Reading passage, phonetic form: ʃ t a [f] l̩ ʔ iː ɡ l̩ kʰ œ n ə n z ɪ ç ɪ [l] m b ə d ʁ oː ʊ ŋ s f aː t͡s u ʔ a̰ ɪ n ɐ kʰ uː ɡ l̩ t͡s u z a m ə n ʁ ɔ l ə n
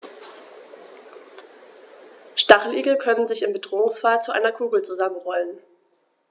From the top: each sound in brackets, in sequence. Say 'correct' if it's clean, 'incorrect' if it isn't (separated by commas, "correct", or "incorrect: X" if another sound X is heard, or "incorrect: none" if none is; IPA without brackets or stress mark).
incorrect: χ, incorrect: none